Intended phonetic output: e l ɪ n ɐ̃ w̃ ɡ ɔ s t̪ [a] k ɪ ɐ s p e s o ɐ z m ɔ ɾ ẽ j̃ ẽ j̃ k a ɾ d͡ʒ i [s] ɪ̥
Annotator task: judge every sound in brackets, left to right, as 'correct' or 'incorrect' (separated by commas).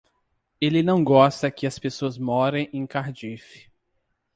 incorrect, incorrect